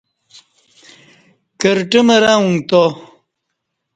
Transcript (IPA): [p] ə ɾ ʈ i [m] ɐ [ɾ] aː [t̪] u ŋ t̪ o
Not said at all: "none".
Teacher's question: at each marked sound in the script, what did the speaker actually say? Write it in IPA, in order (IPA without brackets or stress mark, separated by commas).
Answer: k, m, ɾ, none